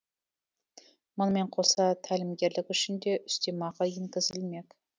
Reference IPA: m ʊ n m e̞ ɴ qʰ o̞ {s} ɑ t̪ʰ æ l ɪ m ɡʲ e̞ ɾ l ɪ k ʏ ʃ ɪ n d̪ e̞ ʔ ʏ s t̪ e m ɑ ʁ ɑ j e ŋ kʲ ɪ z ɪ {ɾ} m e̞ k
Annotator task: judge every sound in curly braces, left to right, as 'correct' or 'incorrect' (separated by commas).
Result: correct, incorrect